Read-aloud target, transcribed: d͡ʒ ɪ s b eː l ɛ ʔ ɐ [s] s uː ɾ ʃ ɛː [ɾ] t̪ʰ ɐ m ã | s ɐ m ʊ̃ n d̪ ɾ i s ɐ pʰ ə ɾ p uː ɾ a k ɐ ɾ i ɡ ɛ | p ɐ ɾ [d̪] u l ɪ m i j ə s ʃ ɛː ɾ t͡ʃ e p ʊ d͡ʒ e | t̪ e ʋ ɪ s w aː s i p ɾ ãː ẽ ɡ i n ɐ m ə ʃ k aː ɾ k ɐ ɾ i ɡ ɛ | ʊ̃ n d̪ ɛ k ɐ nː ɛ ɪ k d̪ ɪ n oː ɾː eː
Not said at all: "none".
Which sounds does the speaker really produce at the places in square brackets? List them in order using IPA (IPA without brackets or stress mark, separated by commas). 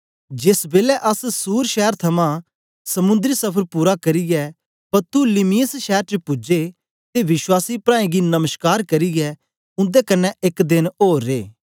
s, ɾ, t̪